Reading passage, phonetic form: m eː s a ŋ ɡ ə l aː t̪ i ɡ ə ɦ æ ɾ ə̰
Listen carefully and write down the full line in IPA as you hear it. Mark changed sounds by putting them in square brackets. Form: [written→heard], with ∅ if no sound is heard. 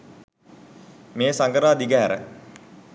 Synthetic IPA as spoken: m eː s a ŋ ɡ ə [l→ɾ] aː [t̪→d̪] i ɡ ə ɦ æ ɾ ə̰